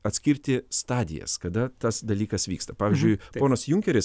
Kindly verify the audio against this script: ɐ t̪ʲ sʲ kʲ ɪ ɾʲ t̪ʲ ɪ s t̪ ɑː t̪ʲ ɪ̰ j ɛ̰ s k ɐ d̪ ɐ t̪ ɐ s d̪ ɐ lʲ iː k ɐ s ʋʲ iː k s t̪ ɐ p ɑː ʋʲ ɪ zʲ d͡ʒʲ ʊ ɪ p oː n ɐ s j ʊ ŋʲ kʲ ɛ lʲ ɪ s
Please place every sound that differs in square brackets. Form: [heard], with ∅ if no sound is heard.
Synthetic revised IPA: ɐ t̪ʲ sʲ kʲ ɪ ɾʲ t̪ʲ ɪ s t̪ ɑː [d̪ʲ] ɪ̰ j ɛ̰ s k ɐ d̪ ɐ t̪ ɐ s d̪ ɐ lʲ iː k ɐ s ʋʲ iː k s t̪ ɐ p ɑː ʋʲ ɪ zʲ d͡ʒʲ ʊ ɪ p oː n ɐ s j ʊ ŋʲ kʲ ɛ [ɾʲ] ɪ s